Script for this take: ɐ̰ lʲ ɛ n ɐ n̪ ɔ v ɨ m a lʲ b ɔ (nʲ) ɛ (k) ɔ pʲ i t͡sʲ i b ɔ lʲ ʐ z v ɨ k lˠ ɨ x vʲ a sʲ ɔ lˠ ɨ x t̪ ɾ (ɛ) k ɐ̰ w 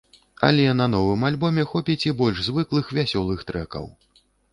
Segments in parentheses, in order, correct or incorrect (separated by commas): incorrect, incorrect, correct